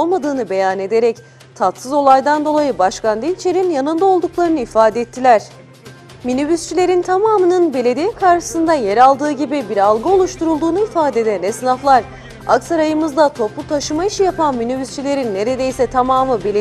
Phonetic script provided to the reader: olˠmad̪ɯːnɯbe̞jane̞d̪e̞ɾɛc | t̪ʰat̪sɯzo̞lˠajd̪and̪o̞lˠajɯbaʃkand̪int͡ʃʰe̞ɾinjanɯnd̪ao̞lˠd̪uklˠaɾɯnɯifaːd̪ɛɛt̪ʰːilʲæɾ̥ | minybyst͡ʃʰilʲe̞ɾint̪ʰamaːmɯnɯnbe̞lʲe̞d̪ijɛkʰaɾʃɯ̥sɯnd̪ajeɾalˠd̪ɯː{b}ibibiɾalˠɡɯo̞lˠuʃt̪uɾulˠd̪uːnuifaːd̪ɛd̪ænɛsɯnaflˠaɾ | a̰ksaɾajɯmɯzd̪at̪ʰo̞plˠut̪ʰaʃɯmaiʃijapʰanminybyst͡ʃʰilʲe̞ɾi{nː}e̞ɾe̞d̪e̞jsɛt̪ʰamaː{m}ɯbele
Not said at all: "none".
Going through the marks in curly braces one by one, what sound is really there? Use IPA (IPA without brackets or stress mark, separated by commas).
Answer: ɟ, nː, m